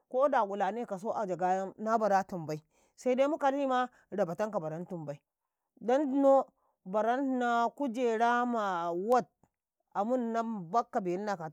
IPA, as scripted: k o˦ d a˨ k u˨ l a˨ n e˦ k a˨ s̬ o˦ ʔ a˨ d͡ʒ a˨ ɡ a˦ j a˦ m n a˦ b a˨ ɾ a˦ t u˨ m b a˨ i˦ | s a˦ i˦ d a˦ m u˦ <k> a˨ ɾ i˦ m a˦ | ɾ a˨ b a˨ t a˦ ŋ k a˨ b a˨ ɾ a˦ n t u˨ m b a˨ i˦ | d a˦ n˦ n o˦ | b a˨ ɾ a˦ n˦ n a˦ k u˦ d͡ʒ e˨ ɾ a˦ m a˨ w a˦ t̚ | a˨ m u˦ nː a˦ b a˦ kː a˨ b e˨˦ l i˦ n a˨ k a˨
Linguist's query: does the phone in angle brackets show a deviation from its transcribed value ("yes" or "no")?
no